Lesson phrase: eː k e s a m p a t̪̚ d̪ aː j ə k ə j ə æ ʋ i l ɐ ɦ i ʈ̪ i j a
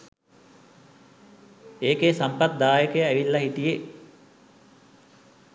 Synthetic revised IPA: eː k e s a m p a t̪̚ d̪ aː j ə k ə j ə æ ʋ i lː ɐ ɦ i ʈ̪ i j e